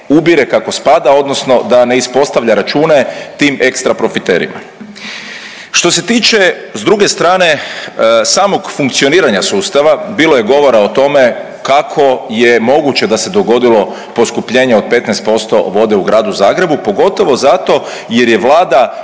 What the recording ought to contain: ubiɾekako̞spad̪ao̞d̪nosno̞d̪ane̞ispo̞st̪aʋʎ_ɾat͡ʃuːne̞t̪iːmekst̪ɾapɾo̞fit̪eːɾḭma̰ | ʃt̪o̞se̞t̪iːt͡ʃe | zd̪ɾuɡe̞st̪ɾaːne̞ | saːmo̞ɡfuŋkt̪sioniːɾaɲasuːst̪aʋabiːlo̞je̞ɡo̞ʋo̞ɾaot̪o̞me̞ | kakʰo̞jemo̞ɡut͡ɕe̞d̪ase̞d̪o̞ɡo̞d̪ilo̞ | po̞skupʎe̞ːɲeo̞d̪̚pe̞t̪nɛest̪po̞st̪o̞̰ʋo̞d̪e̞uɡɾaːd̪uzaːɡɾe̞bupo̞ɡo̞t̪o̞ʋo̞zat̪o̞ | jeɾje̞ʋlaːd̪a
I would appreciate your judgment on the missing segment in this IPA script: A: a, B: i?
A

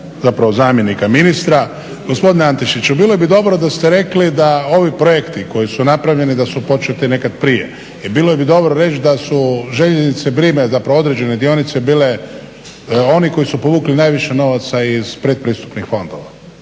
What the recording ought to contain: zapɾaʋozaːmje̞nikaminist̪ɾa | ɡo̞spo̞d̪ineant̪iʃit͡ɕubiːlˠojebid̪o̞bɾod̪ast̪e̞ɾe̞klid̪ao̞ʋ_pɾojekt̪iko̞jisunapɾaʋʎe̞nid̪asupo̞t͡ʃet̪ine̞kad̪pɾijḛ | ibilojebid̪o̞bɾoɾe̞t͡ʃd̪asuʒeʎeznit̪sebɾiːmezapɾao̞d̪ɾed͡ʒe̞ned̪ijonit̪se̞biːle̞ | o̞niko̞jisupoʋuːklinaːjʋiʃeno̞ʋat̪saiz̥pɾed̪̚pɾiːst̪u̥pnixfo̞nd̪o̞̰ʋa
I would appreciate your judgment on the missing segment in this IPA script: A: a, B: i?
B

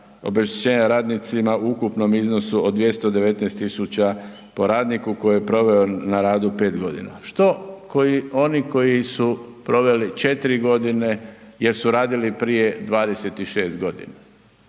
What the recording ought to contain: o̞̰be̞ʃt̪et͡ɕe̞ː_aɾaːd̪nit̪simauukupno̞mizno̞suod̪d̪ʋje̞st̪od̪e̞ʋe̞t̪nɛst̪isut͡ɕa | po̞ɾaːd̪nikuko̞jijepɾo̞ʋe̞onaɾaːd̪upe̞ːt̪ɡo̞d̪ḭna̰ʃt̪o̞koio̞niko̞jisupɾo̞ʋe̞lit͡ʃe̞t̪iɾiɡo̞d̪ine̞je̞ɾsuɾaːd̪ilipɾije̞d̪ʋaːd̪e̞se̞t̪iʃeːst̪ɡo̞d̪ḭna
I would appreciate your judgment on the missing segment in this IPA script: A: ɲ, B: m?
A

